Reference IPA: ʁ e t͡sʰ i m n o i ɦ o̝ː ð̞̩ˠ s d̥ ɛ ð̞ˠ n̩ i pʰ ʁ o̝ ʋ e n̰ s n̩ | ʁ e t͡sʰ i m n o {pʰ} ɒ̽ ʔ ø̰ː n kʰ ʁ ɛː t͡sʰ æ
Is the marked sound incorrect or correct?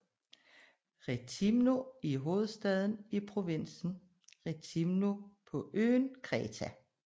correct